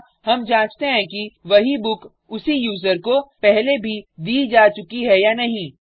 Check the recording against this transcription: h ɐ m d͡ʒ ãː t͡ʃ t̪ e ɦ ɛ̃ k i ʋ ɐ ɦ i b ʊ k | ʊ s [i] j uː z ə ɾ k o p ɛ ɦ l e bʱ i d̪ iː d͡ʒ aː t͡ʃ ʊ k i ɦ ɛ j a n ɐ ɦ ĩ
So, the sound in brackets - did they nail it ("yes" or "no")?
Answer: yes